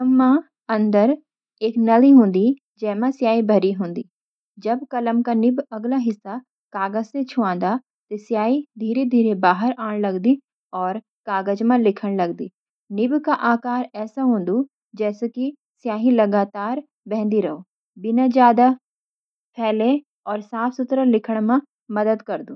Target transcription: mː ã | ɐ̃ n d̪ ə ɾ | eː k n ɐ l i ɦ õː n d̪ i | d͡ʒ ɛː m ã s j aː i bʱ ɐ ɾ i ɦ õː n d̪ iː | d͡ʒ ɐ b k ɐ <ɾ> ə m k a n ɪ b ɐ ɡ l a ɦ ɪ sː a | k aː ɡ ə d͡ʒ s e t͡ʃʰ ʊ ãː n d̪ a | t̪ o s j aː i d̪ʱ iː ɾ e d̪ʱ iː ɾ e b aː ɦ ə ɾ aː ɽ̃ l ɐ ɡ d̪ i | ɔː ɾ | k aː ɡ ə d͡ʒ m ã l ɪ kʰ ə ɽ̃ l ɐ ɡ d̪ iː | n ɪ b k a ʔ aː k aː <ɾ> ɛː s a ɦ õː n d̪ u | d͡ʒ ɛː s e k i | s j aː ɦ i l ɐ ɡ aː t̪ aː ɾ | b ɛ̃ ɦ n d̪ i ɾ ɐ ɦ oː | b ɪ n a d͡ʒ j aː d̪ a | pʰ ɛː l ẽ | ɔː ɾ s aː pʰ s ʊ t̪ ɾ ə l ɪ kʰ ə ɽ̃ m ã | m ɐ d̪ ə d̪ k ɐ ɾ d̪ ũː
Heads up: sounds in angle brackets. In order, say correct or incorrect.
incorrect, correct

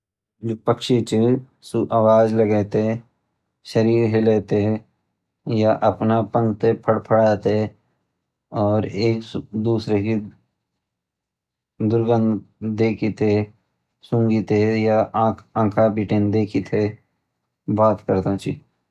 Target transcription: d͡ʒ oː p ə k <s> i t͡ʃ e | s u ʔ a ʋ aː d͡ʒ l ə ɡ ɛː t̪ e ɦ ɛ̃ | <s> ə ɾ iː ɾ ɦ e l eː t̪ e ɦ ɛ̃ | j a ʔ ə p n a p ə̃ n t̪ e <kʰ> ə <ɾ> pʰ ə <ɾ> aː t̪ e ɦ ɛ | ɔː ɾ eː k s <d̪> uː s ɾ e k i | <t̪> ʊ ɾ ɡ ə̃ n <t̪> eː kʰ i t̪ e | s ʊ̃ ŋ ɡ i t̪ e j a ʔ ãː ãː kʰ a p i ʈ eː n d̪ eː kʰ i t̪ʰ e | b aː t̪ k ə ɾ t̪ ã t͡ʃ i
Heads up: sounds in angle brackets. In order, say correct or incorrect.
incorrect, incorrect, incorrect, incorrect, incorrect, correct, incorrect, incorrect

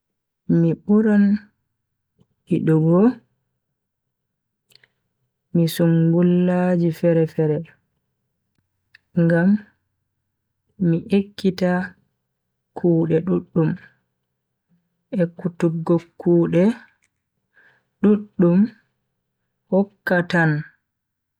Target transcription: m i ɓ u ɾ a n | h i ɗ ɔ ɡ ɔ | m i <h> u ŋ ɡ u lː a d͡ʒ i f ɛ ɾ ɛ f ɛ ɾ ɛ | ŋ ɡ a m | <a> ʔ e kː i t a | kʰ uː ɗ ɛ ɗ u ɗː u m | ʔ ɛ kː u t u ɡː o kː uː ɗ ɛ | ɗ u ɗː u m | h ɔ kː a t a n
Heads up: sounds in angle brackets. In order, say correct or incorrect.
incorrect, incorrect

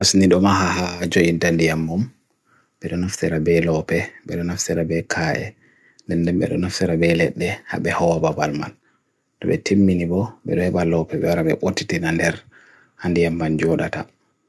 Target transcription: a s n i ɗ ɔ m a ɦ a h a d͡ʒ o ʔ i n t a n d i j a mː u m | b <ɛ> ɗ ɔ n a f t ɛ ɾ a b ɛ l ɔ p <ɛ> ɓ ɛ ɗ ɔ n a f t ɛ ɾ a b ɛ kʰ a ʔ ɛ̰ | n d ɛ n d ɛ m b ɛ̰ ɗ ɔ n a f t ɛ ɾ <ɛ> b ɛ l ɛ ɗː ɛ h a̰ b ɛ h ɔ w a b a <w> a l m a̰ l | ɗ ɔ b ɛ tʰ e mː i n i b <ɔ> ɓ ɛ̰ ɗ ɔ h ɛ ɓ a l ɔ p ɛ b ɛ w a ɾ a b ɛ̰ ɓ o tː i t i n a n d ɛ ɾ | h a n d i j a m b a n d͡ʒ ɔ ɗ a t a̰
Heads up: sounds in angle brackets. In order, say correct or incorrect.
correct, correct, incorrect, incorrect, correct

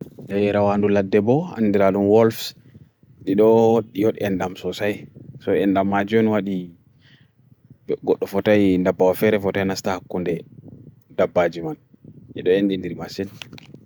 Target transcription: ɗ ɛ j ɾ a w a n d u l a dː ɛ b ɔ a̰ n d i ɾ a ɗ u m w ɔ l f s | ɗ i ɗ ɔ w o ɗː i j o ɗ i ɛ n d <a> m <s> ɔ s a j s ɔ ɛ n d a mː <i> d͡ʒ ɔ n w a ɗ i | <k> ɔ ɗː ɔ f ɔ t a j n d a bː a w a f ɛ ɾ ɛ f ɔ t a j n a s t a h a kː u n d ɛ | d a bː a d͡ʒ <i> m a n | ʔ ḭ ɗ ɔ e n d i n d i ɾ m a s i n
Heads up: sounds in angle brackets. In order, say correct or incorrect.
correct, correct, incorrect, incorrect, correct

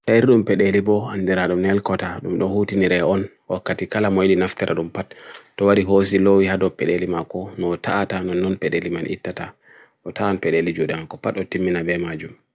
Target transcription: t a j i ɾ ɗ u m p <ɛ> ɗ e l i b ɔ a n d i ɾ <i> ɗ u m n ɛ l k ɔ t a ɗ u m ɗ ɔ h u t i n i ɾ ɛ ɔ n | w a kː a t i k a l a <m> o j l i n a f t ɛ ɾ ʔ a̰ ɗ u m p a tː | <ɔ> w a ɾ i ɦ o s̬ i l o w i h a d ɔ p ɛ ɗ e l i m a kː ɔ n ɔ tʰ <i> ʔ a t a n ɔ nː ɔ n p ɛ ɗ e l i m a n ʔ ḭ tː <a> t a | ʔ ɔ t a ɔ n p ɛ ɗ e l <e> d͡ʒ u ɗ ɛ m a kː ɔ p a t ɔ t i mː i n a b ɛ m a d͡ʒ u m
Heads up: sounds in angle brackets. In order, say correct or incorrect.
correct, incorrect, correct, correct, incorrect, correct, incorrect

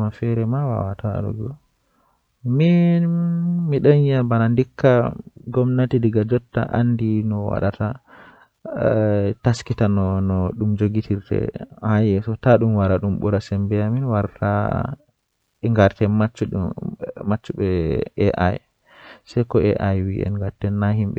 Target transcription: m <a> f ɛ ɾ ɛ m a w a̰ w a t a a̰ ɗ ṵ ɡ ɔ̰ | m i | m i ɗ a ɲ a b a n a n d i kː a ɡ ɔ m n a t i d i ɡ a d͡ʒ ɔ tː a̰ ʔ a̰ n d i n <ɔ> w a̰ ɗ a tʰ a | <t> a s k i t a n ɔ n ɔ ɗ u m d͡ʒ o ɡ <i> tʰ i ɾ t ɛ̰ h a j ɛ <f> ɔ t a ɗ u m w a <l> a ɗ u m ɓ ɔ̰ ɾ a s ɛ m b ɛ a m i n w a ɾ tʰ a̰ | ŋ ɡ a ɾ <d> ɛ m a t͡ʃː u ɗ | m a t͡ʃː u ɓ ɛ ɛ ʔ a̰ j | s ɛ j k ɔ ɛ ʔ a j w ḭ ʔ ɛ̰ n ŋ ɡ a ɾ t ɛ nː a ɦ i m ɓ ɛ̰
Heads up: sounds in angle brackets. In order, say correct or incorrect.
correct, correct, correct, correct, incorrect, incorrect, incorrect

